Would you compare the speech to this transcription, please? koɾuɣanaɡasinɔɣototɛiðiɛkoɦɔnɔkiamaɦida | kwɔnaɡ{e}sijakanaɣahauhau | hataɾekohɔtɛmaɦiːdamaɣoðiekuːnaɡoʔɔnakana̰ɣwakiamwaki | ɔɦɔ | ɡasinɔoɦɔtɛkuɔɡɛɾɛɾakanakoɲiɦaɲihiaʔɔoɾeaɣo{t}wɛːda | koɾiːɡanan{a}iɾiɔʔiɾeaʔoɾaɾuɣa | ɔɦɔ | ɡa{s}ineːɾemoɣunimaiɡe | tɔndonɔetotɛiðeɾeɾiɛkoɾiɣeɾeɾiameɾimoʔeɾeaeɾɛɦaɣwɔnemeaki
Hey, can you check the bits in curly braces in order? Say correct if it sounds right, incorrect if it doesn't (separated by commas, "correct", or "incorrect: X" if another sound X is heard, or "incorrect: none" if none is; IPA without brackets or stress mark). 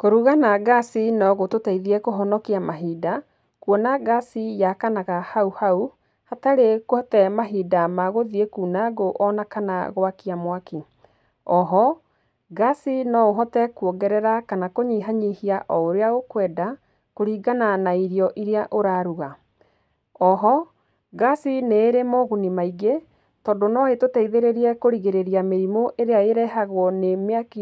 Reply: incorrect: a, incorrect: k, correct, correct